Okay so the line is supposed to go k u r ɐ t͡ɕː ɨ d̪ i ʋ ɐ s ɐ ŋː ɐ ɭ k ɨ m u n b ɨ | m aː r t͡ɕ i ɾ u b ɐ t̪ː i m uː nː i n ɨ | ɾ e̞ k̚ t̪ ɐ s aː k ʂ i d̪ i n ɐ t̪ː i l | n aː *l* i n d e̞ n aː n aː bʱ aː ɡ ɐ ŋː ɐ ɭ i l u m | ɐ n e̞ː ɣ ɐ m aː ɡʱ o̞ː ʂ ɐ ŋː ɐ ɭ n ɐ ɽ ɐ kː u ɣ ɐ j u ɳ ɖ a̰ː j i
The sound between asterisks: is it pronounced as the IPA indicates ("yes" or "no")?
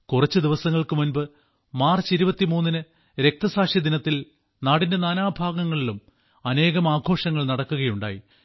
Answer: no